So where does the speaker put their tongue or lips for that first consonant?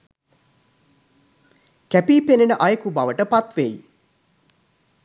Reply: velum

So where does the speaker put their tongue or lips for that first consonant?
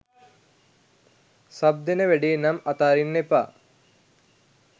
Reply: tongue tip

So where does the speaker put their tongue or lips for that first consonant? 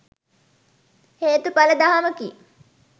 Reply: throat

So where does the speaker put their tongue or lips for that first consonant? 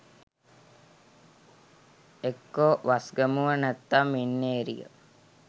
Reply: velum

